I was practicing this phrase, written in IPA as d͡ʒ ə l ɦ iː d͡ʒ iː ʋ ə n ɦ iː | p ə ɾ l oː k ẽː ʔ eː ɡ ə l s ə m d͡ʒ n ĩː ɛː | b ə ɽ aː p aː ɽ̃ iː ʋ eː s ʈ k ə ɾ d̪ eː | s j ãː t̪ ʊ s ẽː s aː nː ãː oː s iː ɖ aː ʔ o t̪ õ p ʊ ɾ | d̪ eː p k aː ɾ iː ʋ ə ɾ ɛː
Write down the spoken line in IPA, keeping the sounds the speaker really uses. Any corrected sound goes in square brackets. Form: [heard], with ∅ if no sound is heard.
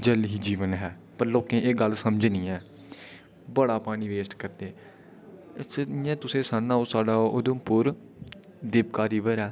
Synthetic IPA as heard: d͡ʒ ə l ɦ iː d͡ʒ iː ʋ ə n ɦ [ɛː] | p ə ɾ l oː k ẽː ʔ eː ɡ ə l s ə m d͡ʒ n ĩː ɛː | b ə ɽ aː p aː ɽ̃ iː ʋ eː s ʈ k ə ɾ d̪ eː | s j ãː t̪ ʊ s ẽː s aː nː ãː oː s [aː] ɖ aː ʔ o [d̪] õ p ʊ ɾ | d̪ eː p k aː ɾ iː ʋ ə ɾ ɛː